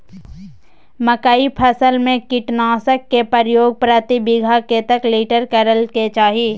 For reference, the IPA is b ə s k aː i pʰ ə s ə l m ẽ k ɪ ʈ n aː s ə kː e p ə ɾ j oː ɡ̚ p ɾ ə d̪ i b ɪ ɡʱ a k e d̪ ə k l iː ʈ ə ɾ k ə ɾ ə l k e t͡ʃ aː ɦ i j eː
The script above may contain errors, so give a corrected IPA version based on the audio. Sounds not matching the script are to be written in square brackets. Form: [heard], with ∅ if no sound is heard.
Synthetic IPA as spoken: [m] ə [∅] k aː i pʰ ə s ə l m ẽ k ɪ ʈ n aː s ə kː e p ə ɾ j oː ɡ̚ p ɾ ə [t̪] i b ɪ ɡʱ a k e [t̪] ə k l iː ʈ ə ɾ k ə ɾ ə l k e t͡ʃ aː ɦ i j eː